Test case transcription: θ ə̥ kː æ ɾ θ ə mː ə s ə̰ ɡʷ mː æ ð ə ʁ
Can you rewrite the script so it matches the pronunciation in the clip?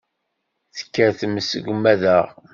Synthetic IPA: θ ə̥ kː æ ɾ θ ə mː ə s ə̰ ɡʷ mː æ ð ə ʁ